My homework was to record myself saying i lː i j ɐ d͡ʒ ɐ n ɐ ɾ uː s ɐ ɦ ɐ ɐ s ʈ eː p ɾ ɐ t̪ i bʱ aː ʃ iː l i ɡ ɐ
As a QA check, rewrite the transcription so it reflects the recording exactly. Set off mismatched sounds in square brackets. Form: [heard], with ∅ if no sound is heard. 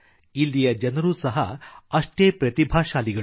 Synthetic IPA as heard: i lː i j ɐ d͡ʒ ɐ n ɐ ɾ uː s ɐ ɦ ɐ ɐ [ʂ] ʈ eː p ɾ ɐ t̪ i bʱ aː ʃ [aː] l i ɡ ɐ